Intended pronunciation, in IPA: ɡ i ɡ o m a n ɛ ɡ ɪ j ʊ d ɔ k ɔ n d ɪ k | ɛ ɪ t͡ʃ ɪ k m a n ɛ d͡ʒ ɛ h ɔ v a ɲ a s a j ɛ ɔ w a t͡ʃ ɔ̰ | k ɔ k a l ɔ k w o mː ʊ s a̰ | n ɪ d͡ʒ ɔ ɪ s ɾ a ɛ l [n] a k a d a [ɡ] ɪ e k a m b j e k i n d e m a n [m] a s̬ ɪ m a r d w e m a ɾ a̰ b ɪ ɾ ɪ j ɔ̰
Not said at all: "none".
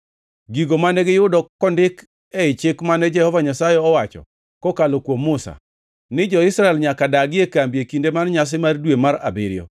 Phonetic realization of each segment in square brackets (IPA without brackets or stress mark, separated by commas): ɲ, ɡ, ɲ